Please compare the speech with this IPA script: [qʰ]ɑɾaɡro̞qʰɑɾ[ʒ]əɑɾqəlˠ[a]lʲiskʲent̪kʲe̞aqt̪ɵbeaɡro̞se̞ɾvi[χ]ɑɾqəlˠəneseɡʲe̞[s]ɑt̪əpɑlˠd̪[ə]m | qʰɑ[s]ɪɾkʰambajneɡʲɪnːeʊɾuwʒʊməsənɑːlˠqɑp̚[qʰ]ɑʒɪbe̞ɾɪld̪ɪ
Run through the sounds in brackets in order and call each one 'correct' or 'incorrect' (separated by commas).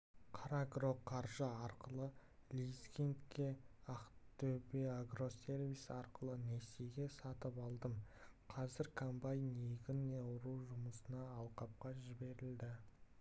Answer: correct, correct, incorrect, incorrect, correct, correct, incorrect, incorrect